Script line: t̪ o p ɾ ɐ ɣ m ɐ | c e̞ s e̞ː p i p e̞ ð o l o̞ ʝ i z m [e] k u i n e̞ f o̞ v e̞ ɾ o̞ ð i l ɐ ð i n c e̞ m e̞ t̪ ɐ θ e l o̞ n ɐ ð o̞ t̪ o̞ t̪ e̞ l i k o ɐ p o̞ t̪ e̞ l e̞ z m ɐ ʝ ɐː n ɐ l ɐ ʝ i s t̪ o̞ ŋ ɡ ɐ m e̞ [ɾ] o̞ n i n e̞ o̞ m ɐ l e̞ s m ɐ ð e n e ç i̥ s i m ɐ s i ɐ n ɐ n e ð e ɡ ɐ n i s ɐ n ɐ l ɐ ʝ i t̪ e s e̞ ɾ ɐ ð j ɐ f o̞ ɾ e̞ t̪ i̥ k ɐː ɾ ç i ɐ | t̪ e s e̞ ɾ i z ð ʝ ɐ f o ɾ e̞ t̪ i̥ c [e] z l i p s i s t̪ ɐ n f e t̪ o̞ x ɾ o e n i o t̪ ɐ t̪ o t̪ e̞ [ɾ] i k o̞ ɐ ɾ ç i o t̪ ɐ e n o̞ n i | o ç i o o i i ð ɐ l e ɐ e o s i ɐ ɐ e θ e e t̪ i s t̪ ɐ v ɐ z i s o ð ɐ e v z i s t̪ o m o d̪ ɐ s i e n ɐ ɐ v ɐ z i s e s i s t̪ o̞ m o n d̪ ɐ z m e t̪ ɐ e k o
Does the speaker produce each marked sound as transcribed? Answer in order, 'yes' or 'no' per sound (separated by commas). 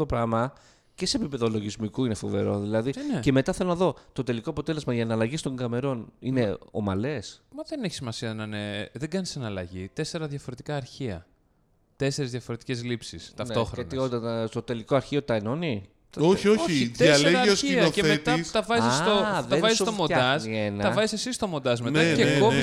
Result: no, yes, yes, no